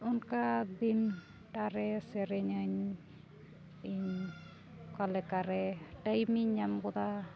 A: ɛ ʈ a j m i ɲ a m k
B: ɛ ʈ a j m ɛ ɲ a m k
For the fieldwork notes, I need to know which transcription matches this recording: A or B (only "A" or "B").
A